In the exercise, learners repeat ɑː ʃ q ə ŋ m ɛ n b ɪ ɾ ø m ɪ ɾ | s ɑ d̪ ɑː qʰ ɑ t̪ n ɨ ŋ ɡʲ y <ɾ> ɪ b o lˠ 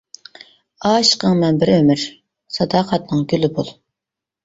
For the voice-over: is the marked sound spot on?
no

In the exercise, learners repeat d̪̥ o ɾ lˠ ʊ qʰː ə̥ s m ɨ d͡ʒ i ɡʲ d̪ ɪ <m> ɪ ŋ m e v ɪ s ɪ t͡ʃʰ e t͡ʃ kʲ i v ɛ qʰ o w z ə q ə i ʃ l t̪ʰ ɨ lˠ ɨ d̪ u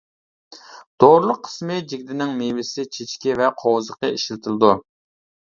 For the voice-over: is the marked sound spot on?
no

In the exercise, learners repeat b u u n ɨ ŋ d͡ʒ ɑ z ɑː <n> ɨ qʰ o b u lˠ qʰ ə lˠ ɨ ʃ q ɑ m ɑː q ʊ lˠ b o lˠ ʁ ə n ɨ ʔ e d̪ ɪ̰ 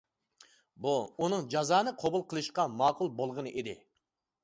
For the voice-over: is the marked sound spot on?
yes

